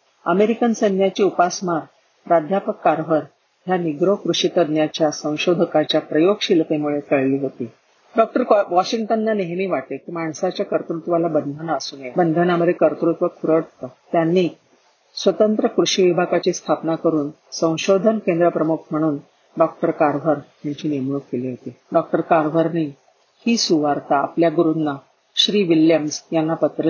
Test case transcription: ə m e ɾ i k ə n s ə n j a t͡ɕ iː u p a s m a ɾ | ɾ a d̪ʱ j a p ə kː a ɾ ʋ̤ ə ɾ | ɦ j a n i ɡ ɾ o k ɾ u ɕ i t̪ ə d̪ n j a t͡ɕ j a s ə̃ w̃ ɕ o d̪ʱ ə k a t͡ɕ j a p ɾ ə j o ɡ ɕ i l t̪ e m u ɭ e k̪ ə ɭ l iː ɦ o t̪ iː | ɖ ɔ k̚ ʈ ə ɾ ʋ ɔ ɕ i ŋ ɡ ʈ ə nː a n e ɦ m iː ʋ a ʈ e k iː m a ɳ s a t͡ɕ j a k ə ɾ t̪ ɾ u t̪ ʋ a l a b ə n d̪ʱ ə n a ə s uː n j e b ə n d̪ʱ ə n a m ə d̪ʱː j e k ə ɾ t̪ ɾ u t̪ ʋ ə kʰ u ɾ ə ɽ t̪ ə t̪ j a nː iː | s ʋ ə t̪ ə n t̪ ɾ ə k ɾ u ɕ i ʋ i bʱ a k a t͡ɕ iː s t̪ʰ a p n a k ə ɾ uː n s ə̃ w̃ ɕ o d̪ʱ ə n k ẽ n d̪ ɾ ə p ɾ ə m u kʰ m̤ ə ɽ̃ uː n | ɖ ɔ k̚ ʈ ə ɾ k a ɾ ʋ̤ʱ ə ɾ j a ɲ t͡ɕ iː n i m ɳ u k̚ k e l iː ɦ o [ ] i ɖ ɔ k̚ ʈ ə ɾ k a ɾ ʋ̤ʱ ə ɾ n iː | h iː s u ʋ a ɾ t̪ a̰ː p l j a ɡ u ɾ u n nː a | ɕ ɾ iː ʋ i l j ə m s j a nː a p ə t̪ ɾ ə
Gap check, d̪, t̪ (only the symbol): t̪